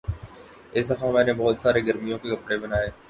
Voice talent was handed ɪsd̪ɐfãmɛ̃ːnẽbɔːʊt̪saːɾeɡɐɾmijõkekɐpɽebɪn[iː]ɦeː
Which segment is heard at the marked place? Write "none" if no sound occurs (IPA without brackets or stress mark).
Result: aː